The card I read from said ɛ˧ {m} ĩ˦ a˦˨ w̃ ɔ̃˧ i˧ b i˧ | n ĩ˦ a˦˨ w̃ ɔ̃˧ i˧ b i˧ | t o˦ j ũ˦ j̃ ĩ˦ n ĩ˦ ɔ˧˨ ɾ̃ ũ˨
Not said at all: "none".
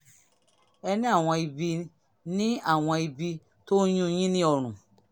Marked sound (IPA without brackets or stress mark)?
n